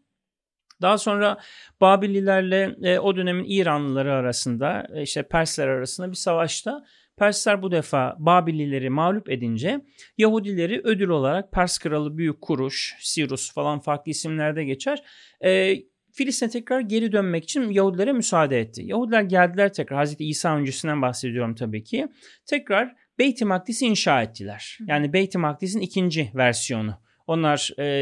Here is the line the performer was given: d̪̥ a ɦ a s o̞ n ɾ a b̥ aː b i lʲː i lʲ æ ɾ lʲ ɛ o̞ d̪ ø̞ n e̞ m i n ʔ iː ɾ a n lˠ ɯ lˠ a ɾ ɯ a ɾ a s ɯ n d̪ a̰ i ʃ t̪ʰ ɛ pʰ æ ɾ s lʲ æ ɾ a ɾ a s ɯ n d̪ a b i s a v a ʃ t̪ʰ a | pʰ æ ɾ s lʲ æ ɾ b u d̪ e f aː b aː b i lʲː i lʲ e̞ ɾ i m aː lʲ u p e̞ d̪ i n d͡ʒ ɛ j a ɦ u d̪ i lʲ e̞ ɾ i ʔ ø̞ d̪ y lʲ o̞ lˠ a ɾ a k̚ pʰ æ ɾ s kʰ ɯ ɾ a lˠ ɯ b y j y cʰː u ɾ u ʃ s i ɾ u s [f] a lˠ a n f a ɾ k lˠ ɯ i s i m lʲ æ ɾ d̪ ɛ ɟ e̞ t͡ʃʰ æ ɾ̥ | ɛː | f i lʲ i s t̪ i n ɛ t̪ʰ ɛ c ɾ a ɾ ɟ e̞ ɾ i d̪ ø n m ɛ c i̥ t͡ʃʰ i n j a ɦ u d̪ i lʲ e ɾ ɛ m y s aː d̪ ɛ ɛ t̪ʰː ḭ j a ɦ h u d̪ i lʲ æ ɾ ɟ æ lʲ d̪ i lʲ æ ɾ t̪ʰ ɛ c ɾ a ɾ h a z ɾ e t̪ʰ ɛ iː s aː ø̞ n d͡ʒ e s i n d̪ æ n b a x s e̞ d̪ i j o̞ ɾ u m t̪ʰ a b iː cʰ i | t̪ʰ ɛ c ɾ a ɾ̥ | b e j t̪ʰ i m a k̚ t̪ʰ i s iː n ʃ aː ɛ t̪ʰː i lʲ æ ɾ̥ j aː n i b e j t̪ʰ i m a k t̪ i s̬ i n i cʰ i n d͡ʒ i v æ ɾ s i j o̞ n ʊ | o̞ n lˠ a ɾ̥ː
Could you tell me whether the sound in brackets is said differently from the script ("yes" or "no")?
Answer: no